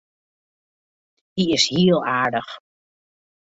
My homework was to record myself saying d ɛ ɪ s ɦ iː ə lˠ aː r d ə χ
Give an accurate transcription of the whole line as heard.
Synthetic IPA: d i ɪ s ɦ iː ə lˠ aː ɹ d ə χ